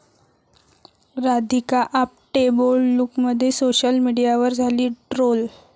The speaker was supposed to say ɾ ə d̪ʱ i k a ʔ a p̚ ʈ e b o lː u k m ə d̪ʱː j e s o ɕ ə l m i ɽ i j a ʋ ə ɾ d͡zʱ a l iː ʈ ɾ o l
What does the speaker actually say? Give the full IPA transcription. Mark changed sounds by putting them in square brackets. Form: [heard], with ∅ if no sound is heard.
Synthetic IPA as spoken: ɾ [a] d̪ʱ i k a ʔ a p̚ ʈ e b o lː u k m ə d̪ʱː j e s o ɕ ə l m i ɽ i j a ʋ ə ɾ d͡zʱ a l iː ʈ ɾ o l